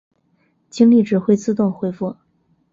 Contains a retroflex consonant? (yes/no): yes